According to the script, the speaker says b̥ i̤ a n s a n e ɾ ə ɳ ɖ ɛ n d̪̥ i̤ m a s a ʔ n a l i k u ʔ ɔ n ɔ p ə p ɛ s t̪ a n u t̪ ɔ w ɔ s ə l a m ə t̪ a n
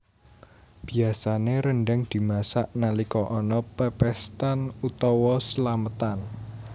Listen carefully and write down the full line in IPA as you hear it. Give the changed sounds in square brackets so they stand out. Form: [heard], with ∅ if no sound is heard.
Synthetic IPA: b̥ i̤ a [∅] s a n e ɾ ə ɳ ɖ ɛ [ŋ] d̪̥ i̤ m a s a ʔ n a l i k [ɔ] ʔ ɔ n ɔ p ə p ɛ s t̪ a n u t̪ ɔ w ɔ s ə l a m ə t̪ a n